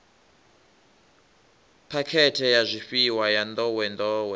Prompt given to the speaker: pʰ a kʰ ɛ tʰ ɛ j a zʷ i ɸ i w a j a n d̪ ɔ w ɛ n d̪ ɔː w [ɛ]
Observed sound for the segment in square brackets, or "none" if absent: ɛ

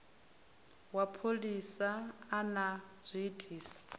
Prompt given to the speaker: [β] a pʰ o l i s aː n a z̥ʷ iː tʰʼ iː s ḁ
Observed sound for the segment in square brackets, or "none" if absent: w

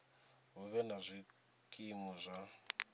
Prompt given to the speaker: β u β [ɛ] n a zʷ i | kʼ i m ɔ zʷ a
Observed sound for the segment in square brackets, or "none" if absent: ɛ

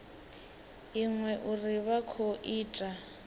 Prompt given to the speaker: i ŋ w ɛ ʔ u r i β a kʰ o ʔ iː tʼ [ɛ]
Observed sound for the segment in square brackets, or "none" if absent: a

